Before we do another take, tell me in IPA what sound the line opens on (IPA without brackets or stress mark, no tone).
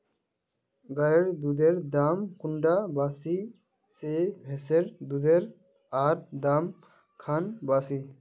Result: ɡ